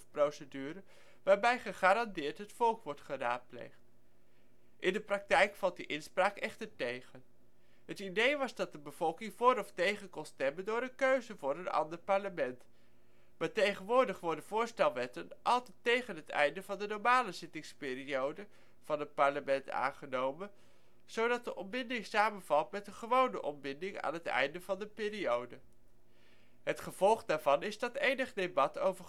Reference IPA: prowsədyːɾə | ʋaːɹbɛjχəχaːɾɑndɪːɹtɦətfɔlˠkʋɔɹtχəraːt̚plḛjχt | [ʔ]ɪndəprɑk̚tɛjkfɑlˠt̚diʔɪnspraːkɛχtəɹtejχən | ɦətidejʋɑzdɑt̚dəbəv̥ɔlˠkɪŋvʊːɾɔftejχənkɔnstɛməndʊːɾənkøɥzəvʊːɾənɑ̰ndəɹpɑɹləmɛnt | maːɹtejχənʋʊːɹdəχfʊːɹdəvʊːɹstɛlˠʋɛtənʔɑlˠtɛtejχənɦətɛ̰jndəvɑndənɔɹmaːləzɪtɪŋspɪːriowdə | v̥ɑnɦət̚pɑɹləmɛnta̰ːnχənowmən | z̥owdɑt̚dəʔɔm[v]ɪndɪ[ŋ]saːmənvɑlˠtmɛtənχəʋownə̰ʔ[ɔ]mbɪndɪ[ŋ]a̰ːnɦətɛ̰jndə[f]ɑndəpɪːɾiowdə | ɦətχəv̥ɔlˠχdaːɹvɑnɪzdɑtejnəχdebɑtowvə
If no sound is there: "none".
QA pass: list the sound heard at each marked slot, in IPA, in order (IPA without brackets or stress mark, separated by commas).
ʔ, b, ŋ, ɔ, ŋ, v